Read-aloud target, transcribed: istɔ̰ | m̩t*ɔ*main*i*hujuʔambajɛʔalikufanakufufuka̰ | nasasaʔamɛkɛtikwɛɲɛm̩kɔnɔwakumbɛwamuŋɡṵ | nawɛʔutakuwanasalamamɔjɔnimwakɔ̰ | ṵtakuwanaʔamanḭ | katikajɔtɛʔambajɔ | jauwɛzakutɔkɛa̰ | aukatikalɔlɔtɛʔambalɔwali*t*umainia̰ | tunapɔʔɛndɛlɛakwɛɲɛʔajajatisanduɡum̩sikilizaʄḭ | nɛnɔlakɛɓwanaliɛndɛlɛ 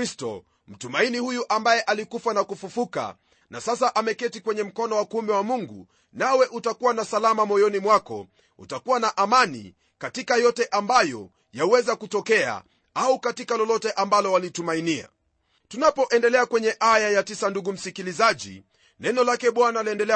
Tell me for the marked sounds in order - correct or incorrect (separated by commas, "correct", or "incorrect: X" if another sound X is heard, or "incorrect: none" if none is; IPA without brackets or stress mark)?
incorrect: u, correct, correct